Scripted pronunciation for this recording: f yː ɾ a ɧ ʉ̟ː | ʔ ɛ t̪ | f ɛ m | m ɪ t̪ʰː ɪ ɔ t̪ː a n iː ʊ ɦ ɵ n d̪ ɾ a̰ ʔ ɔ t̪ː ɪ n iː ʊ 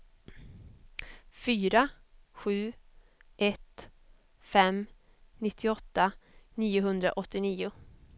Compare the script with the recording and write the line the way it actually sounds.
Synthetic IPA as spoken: f yː ɾ a ɧ ʉ̟ː | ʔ ɛ t̪ | f ɛ m | n ɪ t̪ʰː ɪ ɔ t̪ː a n iː ʊ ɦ ɵ n d̪ ɾ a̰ ʔ ɔ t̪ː ɪ n iː ʊ